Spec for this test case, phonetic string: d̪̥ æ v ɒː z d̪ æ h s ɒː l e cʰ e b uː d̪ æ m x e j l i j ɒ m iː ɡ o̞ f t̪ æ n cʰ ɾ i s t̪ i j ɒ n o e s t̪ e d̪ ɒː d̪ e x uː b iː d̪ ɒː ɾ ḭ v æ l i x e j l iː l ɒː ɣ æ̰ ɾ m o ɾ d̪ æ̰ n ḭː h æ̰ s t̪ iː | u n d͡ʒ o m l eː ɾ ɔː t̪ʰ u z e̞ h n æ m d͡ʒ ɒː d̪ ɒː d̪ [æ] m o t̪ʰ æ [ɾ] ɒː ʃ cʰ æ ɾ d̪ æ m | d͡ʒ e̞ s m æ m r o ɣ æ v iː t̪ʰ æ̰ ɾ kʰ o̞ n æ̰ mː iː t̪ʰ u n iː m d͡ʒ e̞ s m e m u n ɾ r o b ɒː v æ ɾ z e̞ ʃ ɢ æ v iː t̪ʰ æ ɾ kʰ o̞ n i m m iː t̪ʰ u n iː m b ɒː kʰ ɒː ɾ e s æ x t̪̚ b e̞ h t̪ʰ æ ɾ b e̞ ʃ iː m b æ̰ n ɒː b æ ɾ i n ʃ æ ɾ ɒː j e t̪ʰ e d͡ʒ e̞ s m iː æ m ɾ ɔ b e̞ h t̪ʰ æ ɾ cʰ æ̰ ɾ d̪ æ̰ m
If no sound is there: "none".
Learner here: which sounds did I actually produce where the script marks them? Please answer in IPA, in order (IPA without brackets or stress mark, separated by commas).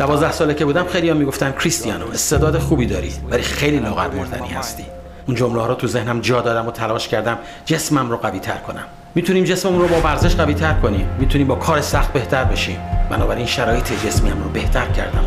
æ, l